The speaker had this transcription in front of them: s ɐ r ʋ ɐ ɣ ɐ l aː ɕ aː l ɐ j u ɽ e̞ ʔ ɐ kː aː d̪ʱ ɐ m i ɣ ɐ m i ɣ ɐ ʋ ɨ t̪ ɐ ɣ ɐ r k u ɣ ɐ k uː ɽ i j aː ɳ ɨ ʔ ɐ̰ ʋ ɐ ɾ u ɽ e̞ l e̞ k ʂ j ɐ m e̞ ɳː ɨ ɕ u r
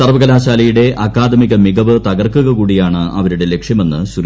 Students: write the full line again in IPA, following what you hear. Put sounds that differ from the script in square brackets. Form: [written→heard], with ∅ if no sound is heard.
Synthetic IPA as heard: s ɐ r ʋ ɐ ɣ ɐ l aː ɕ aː l ɐ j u ɽ e̞ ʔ ɐ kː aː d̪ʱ ɐ m i ɣ ɐ m i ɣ ɐ ʋ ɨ t̪ ɐ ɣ ɐ r k u ɣ ɐ k uː ɽ i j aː ɳ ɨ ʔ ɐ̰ ʋ ɐ ɾ u ɽ e̞ l e̞ k ʂ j ɐ m e̞ [ɳː→nː] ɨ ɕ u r